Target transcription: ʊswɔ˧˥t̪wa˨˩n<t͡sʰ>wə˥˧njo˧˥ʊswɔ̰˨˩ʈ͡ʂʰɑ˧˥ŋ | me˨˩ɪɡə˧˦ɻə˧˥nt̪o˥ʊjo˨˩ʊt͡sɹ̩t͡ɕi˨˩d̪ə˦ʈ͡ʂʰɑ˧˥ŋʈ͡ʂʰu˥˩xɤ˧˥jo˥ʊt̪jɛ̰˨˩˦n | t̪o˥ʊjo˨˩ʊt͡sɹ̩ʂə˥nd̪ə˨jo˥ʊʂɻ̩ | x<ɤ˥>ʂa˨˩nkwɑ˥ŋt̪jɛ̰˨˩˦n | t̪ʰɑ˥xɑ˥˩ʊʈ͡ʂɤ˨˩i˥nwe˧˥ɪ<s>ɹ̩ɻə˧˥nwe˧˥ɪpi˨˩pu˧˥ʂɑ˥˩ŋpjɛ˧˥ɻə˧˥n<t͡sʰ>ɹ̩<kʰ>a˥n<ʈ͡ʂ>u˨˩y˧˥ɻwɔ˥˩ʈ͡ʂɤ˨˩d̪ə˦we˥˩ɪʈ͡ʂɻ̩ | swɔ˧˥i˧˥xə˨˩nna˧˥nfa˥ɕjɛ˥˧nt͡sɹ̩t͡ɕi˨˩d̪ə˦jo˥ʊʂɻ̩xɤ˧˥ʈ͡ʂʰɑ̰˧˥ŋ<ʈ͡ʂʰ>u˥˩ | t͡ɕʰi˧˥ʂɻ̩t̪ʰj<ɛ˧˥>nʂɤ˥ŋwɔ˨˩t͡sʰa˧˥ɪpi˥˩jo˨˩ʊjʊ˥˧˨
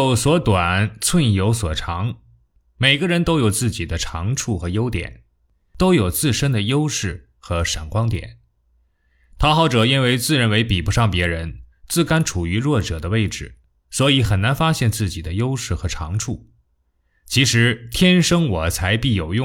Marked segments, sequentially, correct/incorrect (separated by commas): correct, incorrect, incorrect, incorrect, incorrect, incorrect, correct, incorrect